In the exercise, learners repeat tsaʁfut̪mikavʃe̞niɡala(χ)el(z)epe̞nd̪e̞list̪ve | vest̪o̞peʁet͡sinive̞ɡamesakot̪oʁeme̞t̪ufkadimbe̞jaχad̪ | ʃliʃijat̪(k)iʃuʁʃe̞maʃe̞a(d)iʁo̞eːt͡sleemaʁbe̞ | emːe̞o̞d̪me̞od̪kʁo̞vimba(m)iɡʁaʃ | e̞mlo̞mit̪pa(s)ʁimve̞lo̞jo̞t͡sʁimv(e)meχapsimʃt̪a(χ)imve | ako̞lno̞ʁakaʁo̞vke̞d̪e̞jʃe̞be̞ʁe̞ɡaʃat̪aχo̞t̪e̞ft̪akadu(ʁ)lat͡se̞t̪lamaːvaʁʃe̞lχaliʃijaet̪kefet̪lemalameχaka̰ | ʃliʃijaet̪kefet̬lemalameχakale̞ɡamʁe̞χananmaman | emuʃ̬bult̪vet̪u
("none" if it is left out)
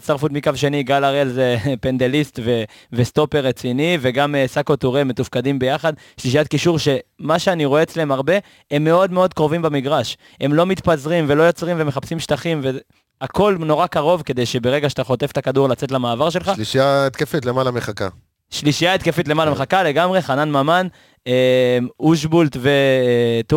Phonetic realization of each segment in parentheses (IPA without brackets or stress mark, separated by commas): ʁ, z, k, n, m, z, e, χ, ʁ